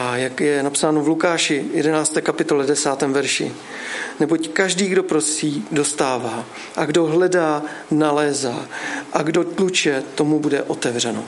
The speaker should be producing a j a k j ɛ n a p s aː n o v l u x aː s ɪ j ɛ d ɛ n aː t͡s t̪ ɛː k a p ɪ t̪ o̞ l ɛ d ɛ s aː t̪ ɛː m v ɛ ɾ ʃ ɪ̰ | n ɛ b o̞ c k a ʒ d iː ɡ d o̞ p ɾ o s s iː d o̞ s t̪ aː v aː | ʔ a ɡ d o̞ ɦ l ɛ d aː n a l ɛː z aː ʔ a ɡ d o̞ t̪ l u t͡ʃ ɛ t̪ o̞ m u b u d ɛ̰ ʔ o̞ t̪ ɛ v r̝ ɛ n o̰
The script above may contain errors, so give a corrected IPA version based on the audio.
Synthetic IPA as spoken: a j a k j ɛ n a p s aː n o v l u k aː ʃ ɪ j ɛ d ɛ n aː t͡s t̪ ɛː k a p ɪ t̪ o̞ l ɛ d ɛ s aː t̪ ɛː m v ɛ ɾ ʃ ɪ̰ | n ɛ b o̞ c k a ʒ d iː ɡ d o̞ p ɾ o s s iː d o̞ s t̪ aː v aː | ʔ a ɡ d o̞ ɦ l ɛ d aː n a l ɛː z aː ʔ a ɡ d o̞ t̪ l u t͡ʃ ɛ t̪ o̞ m u b u d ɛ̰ ʔ o̞ t̪ ɛ v r̝ ɛ n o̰